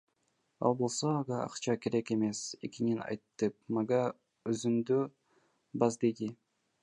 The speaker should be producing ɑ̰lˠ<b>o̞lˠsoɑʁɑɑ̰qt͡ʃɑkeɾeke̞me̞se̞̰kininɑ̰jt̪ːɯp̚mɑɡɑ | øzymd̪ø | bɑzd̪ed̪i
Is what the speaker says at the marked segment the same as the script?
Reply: yes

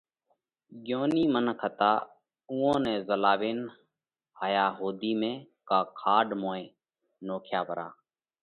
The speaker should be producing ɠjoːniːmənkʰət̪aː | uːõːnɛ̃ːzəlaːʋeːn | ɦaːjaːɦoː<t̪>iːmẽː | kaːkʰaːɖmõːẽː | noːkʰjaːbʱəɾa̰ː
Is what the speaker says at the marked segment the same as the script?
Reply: no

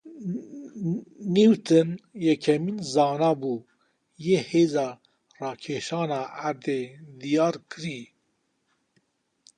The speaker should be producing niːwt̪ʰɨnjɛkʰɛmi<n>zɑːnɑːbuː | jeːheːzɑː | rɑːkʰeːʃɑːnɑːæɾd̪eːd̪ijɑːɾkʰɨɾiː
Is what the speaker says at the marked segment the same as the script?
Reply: yes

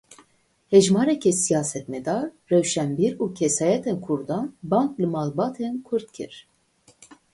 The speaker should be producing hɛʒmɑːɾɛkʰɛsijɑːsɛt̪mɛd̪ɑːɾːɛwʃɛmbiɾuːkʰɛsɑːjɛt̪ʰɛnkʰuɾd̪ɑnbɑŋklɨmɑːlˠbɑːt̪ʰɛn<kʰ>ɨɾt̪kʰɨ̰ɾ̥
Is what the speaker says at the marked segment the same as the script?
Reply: yes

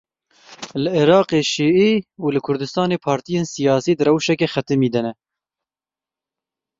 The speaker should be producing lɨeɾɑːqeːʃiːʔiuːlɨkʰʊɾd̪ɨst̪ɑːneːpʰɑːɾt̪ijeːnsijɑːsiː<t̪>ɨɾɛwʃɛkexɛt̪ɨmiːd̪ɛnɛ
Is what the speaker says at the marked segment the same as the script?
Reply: no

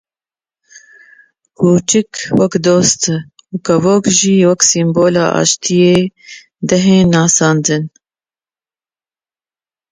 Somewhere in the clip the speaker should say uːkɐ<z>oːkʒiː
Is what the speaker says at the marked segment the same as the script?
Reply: no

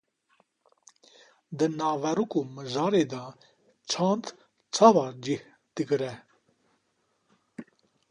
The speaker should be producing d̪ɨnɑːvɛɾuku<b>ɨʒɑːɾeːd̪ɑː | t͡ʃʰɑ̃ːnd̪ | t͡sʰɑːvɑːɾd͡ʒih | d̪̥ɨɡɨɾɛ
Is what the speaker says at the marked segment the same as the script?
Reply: no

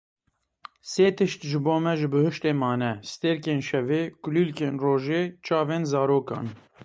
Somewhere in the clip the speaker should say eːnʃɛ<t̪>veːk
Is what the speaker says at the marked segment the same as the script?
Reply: no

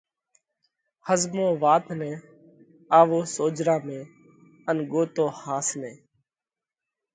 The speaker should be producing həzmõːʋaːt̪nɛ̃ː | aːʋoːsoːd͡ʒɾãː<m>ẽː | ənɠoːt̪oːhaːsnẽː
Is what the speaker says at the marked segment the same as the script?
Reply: yes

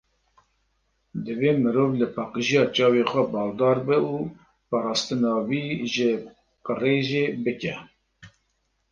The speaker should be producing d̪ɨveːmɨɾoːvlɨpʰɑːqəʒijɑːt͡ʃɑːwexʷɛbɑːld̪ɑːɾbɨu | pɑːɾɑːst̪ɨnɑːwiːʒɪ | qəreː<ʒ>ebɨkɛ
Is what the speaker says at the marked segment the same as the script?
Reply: yes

